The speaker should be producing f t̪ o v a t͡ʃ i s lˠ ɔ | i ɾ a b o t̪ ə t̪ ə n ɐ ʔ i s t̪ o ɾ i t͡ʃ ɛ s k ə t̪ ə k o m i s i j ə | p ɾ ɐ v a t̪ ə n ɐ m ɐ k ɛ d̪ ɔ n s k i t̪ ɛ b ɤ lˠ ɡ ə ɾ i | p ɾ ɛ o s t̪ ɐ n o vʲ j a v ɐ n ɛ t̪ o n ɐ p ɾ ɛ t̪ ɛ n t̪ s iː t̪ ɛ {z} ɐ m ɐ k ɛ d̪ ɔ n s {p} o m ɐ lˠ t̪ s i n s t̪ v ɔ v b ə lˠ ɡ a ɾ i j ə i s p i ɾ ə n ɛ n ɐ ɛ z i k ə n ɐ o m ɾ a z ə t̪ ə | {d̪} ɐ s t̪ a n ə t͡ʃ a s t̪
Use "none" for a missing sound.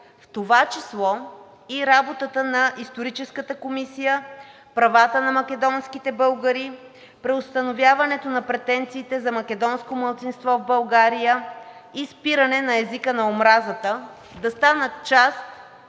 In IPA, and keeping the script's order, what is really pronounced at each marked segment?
z, k, d̪

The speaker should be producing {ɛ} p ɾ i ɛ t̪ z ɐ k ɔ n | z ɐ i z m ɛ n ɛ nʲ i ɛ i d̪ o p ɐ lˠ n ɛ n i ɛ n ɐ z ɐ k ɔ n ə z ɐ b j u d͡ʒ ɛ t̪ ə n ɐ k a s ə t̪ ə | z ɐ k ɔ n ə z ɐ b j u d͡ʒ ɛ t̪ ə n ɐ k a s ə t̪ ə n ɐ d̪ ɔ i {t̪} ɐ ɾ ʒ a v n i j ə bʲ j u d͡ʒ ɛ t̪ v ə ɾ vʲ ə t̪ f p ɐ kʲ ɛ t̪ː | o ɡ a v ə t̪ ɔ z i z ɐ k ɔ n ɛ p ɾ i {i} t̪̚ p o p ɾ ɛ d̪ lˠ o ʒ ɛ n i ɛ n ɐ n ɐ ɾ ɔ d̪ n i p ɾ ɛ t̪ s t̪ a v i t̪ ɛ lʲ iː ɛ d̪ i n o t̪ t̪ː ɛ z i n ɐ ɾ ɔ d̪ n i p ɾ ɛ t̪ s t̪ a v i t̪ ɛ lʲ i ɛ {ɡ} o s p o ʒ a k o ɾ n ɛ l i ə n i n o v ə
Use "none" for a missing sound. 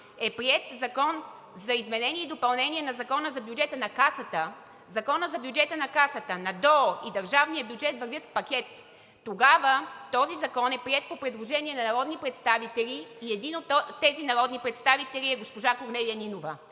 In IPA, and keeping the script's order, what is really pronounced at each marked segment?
ɛ, d̪, ɛ, ɡ

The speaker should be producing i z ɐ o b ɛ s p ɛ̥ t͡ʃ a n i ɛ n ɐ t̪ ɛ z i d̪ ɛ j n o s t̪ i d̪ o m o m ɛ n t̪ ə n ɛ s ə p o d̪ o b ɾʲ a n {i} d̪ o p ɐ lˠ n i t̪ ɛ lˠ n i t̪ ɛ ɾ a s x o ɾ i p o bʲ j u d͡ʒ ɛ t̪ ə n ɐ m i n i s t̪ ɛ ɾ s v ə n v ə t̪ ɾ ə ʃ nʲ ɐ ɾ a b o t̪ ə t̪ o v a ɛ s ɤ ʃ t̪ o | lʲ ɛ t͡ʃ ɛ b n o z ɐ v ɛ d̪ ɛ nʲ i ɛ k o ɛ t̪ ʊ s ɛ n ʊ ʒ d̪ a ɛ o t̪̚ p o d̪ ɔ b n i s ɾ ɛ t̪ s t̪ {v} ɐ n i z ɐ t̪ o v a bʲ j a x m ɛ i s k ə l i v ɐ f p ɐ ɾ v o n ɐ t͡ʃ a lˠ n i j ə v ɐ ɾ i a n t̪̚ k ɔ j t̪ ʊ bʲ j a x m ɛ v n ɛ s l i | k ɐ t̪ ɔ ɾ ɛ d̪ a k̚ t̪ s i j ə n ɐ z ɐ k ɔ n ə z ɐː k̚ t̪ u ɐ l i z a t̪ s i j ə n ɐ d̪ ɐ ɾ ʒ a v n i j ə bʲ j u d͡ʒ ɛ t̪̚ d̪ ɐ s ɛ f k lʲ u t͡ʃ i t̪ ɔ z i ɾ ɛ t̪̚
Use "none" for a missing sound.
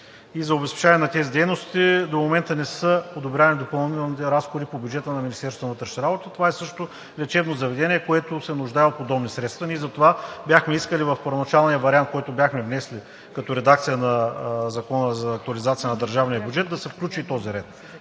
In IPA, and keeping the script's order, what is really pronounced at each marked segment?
i, v

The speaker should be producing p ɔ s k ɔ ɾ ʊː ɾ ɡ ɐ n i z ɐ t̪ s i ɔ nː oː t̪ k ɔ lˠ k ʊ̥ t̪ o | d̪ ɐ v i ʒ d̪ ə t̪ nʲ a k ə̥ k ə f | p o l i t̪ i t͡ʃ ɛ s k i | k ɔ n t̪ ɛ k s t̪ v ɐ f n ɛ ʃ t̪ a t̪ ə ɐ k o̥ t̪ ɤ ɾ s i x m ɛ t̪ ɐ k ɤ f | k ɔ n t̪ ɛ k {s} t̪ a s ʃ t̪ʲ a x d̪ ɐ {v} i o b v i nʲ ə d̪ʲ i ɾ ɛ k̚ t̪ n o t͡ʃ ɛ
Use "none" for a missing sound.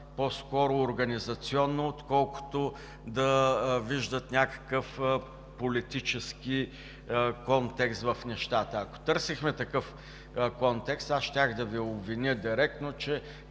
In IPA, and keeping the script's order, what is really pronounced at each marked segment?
s, v

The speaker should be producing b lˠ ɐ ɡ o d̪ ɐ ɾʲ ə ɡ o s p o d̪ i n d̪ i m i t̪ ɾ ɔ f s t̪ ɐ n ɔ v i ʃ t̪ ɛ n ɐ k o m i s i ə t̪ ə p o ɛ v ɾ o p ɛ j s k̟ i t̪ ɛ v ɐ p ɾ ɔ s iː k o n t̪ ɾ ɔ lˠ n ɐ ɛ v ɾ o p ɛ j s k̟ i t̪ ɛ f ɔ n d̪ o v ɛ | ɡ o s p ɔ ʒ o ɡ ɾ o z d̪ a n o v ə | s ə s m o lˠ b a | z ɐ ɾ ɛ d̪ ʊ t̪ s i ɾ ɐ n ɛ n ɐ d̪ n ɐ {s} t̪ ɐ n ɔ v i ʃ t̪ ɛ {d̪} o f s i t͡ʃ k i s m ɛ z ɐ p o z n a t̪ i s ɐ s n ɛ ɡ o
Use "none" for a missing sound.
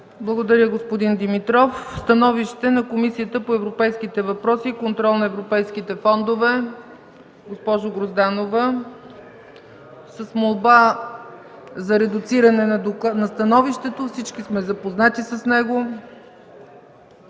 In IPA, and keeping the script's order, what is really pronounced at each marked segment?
s, t̪

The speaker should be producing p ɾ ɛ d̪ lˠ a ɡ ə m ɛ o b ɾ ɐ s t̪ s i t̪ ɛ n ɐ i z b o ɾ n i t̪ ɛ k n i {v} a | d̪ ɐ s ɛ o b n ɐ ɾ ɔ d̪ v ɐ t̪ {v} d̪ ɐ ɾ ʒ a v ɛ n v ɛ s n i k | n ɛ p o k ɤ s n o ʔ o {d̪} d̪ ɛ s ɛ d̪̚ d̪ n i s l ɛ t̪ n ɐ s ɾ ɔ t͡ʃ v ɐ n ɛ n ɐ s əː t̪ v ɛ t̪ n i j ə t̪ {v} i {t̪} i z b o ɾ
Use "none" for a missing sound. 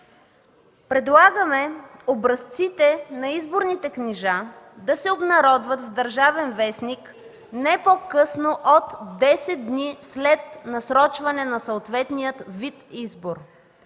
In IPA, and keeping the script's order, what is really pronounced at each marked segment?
ʒ, v, t̪, v, t̪

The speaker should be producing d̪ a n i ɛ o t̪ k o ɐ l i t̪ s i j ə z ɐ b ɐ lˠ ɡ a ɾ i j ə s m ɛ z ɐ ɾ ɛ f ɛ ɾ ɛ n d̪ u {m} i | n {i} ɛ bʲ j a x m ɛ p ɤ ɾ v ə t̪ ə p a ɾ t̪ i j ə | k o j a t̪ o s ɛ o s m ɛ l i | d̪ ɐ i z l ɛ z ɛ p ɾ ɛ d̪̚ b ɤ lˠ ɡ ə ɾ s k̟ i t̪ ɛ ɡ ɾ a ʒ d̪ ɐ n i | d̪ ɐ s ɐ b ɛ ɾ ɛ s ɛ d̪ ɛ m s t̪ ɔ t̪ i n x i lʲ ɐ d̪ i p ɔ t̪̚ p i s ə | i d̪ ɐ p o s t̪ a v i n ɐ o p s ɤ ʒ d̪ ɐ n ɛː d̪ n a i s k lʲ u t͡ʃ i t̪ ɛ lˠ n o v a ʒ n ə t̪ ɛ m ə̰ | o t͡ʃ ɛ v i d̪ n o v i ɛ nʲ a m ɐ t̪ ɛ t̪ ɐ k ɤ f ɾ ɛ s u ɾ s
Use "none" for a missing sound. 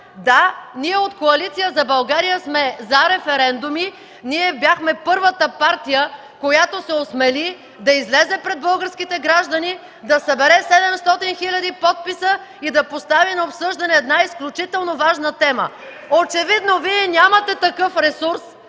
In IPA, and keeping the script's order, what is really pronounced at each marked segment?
m, i

